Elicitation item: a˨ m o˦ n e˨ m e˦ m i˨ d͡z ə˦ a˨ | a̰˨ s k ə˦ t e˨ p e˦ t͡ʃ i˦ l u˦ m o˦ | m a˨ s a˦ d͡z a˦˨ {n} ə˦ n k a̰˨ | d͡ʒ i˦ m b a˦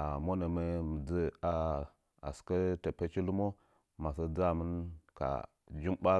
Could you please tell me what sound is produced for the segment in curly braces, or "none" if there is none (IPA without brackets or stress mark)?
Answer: m